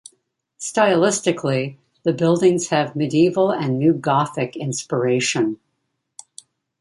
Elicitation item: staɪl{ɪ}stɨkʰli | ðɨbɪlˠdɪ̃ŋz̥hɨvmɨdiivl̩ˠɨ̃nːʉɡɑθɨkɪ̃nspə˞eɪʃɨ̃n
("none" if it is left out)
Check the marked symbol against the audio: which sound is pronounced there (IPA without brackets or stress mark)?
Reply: ɪ